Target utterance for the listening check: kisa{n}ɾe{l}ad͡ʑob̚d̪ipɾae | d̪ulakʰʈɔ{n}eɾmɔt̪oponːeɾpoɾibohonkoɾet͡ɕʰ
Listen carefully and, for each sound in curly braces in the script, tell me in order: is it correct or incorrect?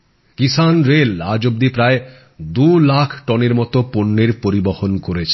correct, correct, correct

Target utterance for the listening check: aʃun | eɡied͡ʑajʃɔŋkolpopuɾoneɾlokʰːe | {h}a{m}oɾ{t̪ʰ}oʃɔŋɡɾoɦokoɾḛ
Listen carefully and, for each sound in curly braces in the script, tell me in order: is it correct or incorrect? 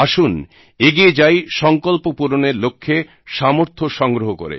incorrect: ʃ, correct, correct

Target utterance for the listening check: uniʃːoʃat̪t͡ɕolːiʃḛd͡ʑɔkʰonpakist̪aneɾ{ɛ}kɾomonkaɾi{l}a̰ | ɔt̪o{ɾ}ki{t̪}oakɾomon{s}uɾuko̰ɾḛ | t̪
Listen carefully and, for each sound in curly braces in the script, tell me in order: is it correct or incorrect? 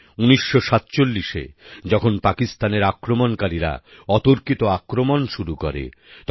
incorrect: a, incorrect: ɾ, correct, correct, incorrect: ʃ

